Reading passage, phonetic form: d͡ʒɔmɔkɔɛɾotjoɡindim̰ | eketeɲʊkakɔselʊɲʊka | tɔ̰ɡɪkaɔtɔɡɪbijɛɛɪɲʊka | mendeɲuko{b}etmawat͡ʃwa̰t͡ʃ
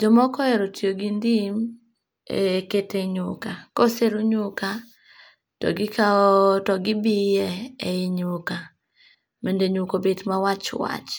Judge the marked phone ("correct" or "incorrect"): correct